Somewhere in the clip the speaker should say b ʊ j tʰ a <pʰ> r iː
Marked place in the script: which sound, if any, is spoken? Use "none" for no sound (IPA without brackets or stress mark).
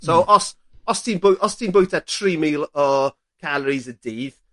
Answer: tʰ